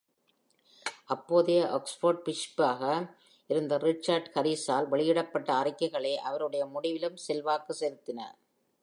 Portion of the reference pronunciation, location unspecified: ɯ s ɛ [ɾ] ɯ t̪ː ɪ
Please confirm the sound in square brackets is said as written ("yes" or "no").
yes